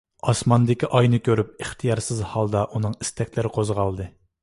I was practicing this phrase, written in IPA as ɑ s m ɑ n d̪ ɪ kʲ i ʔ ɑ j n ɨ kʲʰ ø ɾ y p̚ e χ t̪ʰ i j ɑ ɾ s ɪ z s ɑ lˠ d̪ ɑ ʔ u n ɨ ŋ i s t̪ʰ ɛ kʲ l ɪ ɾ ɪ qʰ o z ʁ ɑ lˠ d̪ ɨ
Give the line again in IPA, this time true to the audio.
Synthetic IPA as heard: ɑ s m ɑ n d̪ ɪ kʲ i ʔ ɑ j n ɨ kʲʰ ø ɾ y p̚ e χ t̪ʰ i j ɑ ɾ s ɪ z h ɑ lˠ d̪ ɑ ʔ u n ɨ ŋ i s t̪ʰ ɛ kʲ l ɪ ɾ ɪ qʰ o z ʁ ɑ lˠ d̪ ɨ